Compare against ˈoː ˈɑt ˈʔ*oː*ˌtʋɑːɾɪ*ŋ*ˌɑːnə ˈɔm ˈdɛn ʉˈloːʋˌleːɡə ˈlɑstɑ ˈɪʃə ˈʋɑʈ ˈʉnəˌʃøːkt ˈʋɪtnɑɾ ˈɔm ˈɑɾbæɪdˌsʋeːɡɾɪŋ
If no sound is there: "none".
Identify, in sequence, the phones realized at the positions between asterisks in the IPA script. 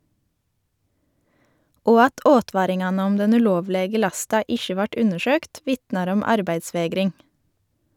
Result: oː, ŋ

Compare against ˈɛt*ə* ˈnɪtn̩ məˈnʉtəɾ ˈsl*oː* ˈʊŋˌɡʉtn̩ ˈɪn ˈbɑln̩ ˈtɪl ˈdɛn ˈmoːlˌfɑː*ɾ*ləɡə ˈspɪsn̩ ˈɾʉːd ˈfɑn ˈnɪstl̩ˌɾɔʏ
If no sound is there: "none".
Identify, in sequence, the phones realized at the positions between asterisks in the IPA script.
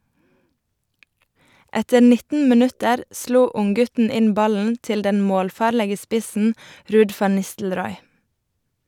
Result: ə, uː, ɾ

